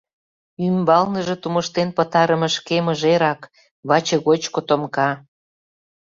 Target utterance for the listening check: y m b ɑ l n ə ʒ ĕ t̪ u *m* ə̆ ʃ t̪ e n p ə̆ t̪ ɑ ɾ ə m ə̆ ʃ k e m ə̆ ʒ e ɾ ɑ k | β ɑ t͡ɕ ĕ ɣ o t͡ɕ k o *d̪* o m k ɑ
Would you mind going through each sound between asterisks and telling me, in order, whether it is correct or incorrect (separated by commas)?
correct, incorrect